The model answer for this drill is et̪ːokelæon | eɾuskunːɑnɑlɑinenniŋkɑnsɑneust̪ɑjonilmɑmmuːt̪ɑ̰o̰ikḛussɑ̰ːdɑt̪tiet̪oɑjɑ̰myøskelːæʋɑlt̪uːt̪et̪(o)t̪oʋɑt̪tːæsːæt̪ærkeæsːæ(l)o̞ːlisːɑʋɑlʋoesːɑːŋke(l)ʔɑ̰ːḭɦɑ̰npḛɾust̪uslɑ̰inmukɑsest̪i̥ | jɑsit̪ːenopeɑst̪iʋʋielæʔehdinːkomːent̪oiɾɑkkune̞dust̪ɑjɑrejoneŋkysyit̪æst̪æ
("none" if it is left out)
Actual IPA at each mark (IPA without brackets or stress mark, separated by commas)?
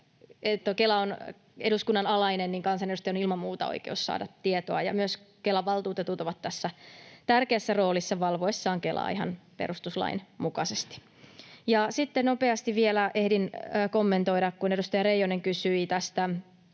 u, r, l